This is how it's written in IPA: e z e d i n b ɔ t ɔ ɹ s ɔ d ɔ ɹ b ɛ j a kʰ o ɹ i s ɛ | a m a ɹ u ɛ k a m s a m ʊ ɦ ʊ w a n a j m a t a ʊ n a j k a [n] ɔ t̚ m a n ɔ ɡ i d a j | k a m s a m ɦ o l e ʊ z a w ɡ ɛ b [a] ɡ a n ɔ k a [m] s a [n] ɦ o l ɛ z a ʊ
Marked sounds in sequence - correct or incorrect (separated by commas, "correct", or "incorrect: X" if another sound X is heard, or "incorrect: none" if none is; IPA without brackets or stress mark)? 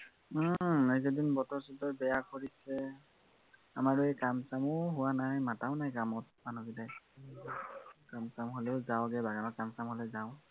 incorrect: m, correct, correct, incorrect: m